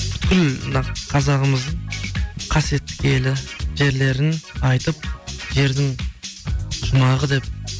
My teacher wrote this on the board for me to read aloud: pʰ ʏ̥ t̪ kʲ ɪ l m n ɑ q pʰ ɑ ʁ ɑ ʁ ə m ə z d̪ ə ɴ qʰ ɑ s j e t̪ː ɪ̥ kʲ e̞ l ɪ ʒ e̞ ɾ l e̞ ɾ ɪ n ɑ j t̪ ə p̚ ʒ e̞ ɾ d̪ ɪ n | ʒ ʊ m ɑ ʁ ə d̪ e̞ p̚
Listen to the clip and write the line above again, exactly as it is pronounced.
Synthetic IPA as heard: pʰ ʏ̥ t̪ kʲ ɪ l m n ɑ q qʰ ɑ z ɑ ʁ ə m ə z d̪ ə ɴ qʰ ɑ s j e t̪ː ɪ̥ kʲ e̞ l ɪ ʒ e̞ ɾ l e̞ ɾ ɪ n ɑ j t̪ ə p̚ ʒ e̞ ɾ d̪ ɪ ŋ | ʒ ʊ m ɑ ʁ ə d̪ e̞ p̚